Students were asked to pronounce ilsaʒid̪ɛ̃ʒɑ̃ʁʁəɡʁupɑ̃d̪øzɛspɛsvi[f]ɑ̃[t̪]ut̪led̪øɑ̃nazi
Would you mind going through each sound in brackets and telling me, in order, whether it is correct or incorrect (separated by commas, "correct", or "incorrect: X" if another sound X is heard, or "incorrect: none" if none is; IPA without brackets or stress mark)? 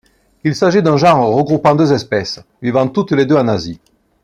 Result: incorrect: v, correct